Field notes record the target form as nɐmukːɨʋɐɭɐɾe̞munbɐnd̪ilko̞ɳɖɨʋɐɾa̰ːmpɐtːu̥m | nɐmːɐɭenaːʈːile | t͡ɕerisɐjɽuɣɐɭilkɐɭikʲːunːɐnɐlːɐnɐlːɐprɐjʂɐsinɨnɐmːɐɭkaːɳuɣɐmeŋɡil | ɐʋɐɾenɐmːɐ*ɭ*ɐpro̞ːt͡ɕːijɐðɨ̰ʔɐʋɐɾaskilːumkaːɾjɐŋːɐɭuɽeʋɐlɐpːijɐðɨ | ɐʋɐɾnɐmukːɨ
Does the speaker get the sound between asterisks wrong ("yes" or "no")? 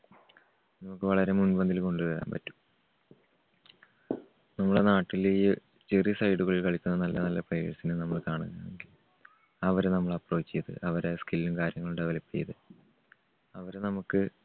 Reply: no